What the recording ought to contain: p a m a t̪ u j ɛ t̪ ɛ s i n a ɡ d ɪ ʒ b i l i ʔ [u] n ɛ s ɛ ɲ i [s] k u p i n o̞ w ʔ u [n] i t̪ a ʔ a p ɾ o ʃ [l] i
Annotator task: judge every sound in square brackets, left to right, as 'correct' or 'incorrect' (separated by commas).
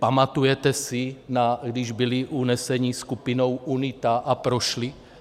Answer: correct, correct, correct, correct